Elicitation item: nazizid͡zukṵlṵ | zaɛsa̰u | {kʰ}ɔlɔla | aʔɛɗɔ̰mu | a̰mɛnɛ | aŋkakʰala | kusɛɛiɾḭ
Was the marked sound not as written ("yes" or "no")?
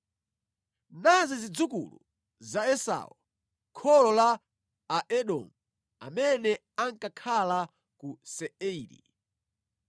no